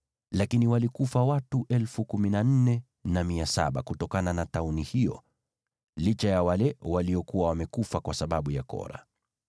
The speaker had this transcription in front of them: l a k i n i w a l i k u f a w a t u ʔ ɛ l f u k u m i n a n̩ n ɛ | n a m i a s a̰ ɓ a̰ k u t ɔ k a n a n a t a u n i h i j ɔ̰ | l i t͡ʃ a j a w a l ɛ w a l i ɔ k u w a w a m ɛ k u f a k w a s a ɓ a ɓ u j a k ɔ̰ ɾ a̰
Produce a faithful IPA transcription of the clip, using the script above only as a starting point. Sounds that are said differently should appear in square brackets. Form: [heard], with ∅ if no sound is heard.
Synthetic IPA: l a k i n i w a l i k u f a w a t u ʔ ɛ l f u k u m i n a n̩ n ɛ | n a m i a s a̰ ɓ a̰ k u t ɔ k a n a n a t a u n i h i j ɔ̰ | l i t͡ʃ a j a w a l ɛ w a l i ɔ k u w a w a m ɛ k u f a k w a s a ɓ a ɓ u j a k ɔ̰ ɾ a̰